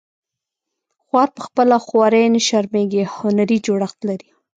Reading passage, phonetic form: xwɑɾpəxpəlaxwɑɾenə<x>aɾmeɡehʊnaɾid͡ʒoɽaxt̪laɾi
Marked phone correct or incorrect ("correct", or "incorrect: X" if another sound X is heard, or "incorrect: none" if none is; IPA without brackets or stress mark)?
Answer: incorrect: ʃ